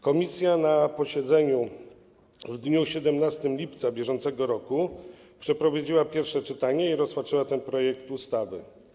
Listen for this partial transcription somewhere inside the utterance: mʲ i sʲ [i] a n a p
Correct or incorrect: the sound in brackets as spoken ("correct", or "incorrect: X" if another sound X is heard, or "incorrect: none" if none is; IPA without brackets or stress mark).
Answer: incorrect: j